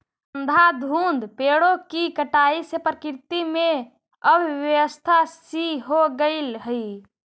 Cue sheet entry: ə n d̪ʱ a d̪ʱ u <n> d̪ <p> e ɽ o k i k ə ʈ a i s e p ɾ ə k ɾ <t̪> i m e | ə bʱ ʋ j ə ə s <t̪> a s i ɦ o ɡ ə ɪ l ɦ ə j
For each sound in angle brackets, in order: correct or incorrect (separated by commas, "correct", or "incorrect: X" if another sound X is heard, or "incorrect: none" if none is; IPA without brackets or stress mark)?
correct, correct, correct, incorrect: t̪ʰ